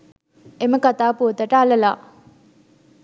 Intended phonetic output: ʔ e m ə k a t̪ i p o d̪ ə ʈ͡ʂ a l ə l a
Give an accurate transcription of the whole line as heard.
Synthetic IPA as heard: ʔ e m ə k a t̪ a p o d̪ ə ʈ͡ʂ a l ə l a